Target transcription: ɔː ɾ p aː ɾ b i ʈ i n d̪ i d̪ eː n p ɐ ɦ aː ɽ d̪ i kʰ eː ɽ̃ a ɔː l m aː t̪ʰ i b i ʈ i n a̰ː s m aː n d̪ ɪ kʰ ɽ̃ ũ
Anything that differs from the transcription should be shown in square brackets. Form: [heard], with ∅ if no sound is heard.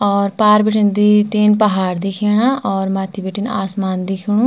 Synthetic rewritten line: ɔː ɾ p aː ɾ b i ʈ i n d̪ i [t̪] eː n p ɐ ɦ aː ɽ d̪ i kʰ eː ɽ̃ a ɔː [ɾ] m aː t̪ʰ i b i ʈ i n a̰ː s m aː n d̪ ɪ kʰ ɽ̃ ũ